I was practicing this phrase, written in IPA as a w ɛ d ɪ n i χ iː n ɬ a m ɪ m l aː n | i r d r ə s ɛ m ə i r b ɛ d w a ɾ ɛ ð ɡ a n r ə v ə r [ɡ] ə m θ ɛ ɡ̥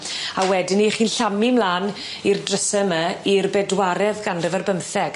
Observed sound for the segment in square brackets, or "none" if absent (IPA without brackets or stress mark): b